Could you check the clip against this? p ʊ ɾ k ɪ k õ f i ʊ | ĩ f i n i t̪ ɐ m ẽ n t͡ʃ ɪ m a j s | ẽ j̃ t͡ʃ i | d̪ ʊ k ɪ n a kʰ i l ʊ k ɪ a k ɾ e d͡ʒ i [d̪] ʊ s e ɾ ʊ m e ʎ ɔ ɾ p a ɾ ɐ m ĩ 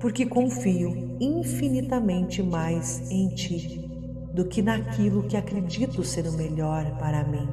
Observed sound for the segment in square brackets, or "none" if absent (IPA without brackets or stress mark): t̪